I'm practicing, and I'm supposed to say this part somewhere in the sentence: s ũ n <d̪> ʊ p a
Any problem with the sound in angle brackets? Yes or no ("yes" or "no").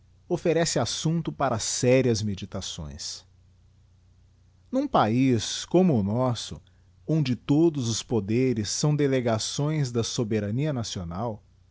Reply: yes